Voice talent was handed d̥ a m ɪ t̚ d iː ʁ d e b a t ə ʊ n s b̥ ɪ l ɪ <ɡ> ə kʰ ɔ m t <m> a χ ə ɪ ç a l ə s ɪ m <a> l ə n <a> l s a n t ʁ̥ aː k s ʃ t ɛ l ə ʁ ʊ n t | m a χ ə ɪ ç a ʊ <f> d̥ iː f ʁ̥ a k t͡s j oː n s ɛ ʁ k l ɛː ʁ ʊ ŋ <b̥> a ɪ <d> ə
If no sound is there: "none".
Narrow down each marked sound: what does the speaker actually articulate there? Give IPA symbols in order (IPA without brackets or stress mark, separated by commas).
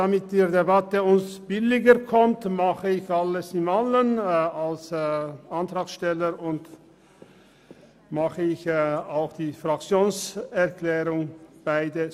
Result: ɡ, m, a, a, x, b̥, d